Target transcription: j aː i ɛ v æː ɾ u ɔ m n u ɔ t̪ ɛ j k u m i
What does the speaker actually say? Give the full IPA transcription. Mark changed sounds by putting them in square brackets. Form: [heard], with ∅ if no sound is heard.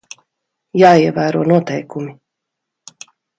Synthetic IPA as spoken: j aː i ɛ v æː ɾ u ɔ [∅] n u ɔ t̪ ɛ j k u m i